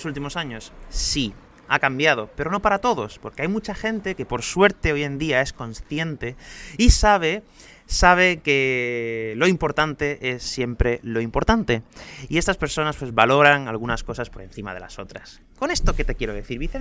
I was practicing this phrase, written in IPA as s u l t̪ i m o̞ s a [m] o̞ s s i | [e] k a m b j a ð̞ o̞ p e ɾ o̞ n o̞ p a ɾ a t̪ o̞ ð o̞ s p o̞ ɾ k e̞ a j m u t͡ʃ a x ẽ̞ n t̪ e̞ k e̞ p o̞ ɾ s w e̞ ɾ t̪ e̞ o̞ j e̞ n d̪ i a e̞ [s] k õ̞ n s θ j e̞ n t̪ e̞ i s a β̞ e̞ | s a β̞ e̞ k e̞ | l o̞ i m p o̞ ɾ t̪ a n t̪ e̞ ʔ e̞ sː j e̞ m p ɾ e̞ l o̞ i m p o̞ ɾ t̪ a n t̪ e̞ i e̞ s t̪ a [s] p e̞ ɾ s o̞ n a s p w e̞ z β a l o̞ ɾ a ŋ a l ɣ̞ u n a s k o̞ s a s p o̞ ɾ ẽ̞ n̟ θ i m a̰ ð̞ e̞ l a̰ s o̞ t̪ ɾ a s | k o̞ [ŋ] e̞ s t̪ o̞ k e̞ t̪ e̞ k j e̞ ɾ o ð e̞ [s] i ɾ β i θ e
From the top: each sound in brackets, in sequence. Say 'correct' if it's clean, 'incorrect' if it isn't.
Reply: incorrect: ɲ, incorrect: a, correct, correct, incorrect: n, incorrect: θ

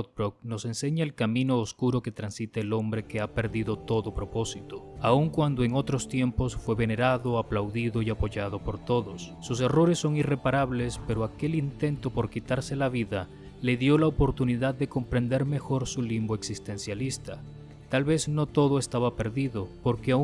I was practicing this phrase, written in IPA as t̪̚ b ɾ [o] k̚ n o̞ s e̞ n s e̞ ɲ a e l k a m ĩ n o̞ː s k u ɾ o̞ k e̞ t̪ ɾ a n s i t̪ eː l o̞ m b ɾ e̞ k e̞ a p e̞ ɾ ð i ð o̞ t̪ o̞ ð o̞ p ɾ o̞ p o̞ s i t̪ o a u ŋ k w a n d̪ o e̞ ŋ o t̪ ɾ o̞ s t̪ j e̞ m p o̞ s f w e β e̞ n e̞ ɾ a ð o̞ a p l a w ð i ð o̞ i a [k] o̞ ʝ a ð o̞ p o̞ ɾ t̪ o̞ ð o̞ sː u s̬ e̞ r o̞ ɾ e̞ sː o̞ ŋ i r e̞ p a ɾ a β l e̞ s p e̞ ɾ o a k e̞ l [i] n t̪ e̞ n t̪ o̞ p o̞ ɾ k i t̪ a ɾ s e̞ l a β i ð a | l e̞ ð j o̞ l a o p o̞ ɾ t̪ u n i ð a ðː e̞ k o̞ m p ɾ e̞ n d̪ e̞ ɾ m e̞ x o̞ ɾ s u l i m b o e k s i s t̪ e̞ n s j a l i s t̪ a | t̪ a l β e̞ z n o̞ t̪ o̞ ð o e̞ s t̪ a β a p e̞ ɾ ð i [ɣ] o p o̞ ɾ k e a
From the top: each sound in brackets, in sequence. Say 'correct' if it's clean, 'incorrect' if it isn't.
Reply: correct, incorrect: p, correct, incorrect: ð

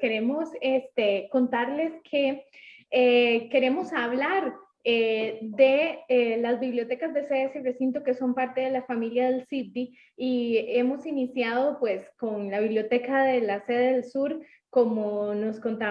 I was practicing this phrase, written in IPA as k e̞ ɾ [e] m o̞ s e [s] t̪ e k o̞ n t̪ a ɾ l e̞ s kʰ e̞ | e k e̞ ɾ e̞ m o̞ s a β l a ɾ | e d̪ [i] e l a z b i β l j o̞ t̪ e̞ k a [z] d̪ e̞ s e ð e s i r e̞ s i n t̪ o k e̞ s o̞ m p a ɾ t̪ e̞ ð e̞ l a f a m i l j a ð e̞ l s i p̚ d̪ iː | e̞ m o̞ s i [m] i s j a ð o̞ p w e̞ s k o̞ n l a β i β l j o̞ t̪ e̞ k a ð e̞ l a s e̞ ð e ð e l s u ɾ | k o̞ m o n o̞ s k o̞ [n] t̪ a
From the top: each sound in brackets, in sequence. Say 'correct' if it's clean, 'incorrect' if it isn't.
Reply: correct, correct, incorrect: e, correct, incorrect: n, correct

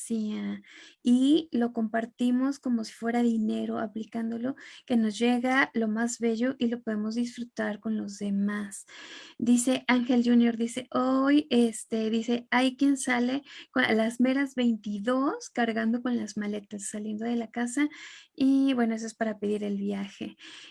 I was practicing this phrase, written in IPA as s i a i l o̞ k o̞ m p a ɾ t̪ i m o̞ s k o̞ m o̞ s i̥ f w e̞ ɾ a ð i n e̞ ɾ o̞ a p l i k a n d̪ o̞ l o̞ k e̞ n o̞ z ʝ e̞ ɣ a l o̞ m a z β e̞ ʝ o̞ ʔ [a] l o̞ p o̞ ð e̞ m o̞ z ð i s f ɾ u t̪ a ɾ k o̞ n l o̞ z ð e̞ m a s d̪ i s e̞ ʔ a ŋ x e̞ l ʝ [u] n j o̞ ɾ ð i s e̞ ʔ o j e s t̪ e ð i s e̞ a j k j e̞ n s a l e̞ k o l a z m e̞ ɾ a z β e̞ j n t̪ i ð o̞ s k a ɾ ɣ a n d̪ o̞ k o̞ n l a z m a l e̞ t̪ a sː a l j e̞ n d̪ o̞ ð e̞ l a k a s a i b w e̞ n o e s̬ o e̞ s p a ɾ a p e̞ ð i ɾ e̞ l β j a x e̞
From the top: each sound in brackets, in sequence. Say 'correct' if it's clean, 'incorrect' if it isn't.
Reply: incorrect: i, correct

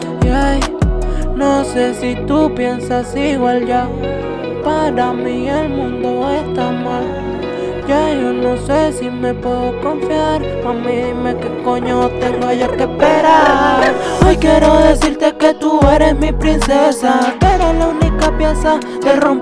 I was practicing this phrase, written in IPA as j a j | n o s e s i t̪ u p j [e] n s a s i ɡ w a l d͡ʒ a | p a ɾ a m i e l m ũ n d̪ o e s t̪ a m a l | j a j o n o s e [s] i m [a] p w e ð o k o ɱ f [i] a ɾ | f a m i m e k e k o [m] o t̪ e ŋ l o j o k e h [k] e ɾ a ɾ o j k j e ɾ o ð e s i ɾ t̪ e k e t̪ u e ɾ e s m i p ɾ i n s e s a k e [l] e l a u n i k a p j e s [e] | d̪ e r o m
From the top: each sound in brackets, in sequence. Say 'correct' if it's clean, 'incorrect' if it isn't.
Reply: correct, correct, incorrect: e, incorrect: j, incorrect: ɲ, incorrect: p, incorrect: ɾ, incorrect: a

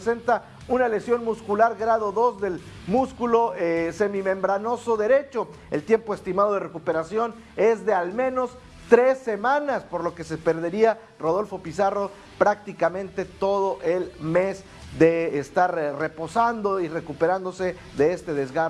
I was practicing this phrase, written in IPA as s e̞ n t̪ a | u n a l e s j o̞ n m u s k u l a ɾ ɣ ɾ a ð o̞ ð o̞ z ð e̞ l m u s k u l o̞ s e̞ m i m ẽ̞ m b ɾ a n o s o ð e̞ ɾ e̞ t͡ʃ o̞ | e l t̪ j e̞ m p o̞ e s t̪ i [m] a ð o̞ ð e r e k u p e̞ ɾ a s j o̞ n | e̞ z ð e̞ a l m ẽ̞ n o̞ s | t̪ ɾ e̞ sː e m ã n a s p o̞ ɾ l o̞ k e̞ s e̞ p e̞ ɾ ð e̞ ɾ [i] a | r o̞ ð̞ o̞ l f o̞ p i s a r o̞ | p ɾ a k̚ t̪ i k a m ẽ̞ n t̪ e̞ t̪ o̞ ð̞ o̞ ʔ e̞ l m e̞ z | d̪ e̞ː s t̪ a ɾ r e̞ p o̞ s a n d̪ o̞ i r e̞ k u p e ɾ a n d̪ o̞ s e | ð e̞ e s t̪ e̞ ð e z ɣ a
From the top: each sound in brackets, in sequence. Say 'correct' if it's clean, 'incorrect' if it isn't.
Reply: correct, correct

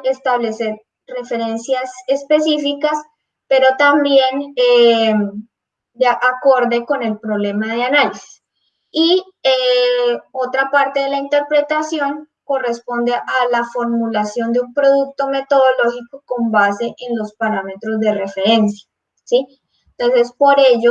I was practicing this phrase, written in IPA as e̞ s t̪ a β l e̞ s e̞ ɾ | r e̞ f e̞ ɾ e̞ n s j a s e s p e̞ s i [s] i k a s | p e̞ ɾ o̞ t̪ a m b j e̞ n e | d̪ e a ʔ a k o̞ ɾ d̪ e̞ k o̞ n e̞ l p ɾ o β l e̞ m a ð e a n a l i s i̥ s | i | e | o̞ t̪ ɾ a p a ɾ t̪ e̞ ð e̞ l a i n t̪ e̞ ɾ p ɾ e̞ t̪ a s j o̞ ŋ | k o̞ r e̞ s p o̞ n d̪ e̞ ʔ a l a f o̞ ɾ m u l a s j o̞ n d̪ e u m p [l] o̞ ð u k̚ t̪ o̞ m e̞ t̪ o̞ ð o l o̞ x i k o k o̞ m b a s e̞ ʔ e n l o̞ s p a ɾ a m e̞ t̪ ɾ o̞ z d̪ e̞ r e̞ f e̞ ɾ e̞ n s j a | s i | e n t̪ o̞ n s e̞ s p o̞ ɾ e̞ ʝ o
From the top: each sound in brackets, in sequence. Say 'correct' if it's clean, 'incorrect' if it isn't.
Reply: incorrect: f, incorrect: ɾ

